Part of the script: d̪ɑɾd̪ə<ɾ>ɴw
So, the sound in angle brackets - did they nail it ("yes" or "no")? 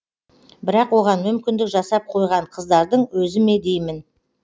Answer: no